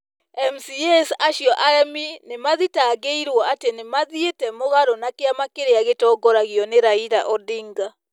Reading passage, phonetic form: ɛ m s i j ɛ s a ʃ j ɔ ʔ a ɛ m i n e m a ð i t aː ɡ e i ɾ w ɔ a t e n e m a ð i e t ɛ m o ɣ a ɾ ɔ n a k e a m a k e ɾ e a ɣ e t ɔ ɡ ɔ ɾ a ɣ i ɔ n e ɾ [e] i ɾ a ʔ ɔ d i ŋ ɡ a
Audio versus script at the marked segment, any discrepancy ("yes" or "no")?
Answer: yes